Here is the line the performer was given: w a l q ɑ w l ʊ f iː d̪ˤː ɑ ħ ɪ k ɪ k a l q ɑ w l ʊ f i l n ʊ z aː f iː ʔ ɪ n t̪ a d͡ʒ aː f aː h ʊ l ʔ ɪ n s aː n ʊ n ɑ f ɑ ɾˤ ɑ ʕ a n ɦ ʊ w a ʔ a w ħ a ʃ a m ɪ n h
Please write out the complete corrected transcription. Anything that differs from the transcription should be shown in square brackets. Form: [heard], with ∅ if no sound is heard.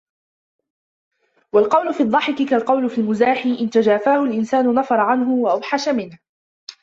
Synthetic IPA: w a l q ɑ w l ʊ f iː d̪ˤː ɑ ħ ɪ k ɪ k a l q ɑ w l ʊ f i l [m] ʊ z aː [ħ] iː ʔ ɪ n t̪ a d͡ʒ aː f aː h ʊ l ʔ ɪ n s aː n ʊ n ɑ f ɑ ɾˤ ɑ ʕ a n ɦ ʊ w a ʔ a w ħ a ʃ a m ɪ n h